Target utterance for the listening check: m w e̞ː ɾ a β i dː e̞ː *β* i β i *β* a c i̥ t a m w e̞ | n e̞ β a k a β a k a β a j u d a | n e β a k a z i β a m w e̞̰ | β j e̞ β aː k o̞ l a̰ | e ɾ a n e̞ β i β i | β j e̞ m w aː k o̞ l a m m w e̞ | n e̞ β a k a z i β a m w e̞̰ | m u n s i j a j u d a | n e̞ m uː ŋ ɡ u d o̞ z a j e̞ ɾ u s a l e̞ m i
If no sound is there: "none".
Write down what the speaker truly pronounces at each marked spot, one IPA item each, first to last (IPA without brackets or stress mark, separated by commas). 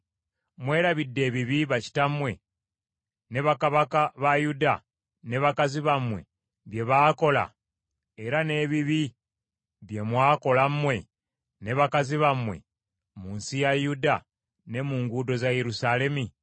β, β